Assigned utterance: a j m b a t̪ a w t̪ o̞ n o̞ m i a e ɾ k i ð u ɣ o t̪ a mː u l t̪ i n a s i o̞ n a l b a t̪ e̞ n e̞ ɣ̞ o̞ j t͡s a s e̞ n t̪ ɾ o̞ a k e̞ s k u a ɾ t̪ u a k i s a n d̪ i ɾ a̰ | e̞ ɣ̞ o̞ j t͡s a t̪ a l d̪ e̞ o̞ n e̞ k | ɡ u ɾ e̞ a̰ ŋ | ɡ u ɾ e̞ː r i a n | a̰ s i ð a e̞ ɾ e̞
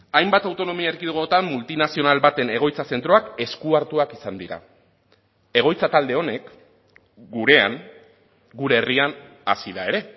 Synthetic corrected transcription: a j m b a t̪ a w t̪ o̞ n o̞ m i a e ɾ k i ð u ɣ o t̪ a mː u l t̪ i n a s i o̞ n a l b a t̪ e̞ n e̞ ɣ̞ o̞ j t͡s a s e̞ n t̪ ɾ o̞ a k e̞ s k u a ɾ t̪ u a k i s a n d̪ i ɾ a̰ | e̞ ɣ̞ o̞ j t͡s a t̪ a l d̪ e̞ o̞ n e̞ k | ɡ u ɾ e̞ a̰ ŋ | ɡ u ɾ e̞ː r i a n | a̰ s i ð a e̞ ɾ e̞